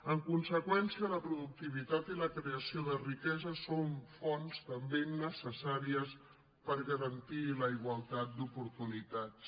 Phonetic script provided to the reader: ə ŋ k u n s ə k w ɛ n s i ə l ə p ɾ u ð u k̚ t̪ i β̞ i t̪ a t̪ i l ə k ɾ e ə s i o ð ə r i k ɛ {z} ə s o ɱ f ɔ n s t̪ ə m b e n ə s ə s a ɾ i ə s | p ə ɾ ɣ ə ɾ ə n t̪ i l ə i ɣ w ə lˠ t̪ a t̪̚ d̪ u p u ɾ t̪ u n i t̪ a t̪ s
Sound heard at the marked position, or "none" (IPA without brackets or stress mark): z